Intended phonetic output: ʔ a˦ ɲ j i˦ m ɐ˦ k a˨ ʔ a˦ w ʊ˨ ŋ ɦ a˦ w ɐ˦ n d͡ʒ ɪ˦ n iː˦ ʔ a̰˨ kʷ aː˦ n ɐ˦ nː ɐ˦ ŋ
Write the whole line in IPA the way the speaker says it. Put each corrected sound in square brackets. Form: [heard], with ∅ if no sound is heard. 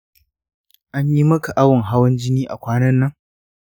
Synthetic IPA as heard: ʔ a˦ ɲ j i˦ m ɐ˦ k a˨ ʔ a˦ w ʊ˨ ŋ ɦ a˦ w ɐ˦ n d͡ʒ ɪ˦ n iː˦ ʔ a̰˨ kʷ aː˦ n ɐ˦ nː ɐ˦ ŋ